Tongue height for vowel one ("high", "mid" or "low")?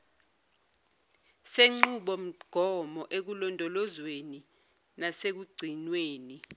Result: mid